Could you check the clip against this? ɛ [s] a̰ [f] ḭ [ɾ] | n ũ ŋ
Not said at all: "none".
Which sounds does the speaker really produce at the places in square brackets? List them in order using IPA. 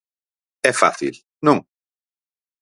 f, θ, l

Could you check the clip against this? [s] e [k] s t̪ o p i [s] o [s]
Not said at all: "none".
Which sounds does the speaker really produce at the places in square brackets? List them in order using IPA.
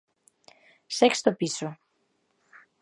s, k, s, none

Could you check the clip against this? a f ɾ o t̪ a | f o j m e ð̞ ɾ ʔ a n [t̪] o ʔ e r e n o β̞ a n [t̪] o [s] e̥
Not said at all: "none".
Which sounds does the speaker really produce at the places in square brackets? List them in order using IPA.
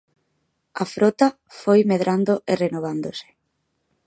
d̪, d̪, s

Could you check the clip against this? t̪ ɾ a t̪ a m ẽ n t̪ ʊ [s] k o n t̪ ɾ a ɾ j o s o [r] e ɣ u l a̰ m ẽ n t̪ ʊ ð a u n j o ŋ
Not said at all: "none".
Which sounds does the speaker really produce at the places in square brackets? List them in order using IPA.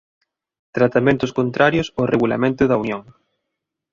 s, r

